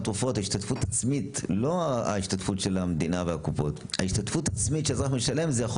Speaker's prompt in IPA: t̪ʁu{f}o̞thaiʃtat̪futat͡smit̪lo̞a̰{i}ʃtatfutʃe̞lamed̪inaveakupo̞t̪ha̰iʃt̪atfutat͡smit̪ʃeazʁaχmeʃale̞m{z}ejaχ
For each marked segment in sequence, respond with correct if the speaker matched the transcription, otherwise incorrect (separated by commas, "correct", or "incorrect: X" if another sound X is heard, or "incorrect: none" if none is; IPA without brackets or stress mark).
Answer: correct, correct, correct